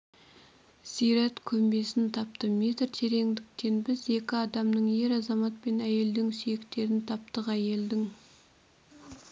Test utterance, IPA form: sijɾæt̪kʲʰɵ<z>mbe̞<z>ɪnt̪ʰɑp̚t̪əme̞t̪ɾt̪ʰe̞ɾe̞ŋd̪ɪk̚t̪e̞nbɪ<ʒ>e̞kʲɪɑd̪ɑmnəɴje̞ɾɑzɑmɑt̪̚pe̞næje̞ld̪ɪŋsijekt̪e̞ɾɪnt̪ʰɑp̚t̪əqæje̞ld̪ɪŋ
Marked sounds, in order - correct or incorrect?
incorrect, incorrect, incorrect

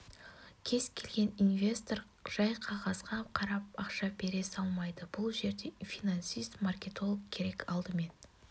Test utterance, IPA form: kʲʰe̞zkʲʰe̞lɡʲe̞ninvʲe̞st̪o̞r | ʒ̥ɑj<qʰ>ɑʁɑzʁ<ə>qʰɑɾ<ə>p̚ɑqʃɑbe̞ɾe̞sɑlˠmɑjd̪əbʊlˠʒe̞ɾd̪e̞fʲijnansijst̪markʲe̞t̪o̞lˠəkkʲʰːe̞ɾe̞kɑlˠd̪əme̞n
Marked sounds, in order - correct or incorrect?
correct, incorrect, incorrect

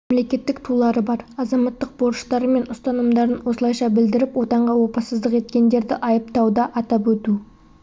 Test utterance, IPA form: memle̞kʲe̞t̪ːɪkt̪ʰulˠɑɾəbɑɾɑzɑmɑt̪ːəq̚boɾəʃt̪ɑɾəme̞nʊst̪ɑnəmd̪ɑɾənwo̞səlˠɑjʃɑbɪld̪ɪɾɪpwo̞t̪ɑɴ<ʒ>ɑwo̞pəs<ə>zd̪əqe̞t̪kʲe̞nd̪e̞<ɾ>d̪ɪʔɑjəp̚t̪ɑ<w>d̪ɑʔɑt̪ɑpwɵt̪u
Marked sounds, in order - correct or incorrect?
incorrect, correct, correct, correct

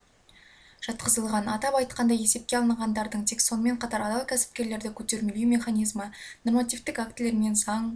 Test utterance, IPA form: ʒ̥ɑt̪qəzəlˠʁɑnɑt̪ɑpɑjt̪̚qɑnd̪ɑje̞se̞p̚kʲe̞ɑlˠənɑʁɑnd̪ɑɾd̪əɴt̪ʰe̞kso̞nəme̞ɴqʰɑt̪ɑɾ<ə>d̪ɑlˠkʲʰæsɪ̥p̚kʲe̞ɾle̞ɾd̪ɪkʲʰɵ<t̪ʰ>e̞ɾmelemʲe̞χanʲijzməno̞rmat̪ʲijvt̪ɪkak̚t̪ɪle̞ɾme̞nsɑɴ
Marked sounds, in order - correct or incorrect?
incorrect, incorrect

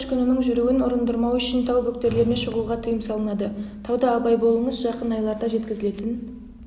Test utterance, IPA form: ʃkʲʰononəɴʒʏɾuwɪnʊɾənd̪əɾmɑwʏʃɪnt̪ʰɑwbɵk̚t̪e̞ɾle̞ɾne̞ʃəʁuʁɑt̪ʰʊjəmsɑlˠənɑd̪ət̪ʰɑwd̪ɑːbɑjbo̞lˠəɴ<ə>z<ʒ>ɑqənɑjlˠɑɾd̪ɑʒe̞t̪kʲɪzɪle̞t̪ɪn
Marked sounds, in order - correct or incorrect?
correct, correct

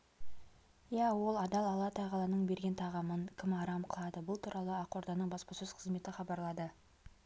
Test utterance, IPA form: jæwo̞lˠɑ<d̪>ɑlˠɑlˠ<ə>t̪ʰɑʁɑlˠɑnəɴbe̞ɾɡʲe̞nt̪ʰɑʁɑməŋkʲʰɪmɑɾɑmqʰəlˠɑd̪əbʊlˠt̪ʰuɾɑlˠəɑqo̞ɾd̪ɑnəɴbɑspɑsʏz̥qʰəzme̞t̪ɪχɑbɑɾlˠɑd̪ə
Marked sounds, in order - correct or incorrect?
correct, incorrect

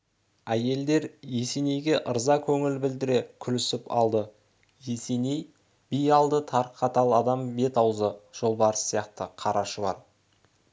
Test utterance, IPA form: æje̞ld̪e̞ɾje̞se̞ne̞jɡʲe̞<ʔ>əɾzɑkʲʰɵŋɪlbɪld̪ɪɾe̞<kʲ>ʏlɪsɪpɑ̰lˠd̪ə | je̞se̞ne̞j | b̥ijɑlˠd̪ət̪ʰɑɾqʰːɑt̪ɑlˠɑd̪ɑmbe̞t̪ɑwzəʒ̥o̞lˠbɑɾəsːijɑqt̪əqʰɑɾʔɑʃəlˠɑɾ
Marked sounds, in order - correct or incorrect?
correct, incorrect

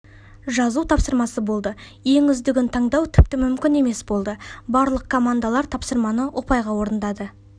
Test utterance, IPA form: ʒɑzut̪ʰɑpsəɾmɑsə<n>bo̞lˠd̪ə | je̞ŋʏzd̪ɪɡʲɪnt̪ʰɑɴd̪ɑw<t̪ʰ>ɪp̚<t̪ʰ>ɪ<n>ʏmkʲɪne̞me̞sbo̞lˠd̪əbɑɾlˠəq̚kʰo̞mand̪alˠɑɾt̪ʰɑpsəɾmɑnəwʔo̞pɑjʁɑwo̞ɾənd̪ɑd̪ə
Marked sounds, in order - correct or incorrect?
incorrect, correct, incorrect, incorrect

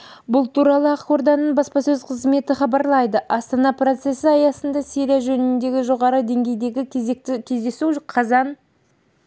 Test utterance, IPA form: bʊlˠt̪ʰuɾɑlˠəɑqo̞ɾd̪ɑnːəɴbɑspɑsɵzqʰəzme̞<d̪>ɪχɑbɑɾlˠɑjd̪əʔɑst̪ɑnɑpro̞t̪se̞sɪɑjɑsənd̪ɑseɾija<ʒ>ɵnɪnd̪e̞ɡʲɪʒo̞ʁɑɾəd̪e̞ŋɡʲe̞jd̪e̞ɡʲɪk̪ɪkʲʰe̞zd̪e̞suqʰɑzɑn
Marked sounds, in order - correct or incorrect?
incorrect, correct

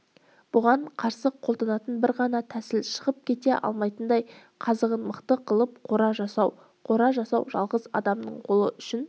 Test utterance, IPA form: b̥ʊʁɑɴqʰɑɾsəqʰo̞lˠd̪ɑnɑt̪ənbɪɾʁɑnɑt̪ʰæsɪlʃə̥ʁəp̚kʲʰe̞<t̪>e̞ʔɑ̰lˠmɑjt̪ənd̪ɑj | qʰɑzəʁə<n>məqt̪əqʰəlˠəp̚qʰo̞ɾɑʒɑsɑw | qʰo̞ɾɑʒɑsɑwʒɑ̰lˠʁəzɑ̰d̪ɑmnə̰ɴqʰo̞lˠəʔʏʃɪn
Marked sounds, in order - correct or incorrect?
correct, correct

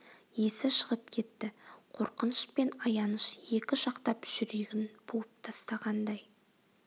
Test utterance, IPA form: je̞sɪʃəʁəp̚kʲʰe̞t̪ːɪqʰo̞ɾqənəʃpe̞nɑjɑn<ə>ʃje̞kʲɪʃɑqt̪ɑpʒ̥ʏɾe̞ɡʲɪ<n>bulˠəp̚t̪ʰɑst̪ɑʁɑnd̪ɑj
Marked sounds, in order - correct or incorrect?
correct, correct

